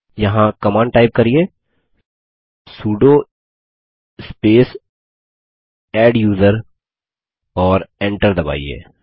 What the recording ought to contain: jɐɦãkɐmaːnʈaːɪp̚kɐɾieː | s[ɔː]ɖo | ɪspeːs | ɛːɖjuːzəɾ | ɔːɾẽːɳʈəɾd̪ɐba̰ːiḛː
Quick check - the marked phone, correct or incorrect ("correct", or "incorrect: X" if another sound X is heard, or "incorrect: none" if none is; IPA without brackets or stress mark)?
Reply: incorrect: uː